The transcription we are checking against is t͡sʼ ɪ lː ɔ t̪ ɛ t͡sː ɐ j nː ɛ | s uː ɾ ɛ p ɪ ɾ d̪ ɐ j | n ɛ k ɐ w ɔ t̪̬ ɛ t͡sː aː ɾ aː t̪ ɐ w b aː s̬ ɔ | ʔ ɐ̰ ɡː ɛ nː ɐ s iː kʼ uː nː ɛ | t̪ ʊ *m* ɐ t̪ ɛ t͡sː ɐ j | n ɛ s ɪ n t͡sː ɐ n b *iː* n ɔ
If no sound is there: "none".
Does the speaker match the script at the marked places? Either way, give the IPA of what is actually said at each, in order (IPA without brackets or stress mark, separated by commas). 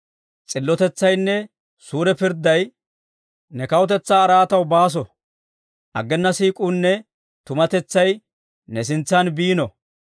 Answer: m, iː